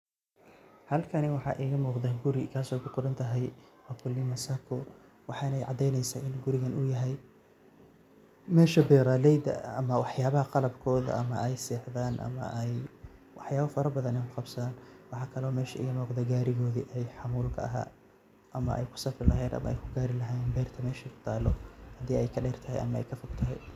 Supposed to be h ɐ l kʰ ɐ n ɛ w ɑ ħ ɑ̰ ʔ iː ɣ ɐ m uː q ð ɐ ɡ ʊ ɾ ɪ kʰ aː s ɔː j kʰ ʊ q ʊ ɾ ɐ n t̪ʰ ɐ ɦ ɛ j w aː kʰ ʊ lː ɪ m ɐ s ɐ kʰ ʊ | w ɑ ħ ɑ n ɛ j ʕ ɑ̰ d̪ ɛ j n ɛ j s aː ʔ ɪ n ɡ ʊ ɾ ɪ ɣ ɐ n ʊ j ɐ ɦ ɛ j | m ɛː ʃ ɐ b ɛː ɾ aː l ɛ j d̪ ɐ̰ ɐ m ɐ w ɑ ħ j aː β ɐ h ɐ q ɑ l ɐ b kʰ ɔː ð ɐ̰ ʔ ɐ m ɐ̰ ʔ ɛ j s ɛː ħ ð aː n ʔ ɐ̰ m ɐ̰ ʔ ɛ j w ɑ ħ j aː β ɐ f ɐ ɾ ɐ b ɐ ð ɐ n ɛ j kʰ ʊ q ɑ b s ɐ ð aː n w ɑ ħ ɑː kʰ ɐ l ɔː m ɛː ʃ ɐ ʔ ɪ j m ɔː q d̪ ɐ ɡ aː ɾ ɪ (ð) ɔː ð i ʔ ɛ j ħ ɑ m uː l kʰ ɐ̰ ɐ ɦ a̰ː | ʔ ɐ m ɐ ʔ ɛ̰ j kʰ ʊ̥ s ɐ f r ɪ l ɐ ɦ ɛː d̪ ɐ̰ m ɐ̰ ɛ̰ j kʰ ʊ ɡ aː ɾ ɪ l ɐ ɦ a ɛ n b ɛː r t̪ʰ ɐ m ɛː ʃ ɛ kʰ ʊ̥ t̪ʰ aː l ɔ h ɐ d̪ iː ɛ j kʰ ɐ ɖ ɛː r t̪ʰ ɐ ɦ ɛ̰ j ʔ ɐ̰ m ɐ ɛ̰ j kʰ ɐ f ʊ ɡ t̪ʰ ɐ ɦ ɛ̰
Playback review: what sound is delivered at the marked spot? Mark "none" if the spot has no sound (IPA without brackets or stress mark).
ɣ